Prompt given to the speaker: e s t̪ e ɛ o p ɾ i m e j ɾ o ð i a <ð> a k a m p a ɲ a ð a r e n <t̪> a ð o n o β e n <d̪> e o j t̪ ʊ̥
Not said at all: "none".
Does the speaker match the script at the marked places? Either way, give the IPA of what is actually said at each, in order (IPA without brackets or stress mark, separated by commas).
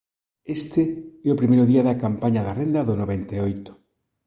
ð, d̪, t̪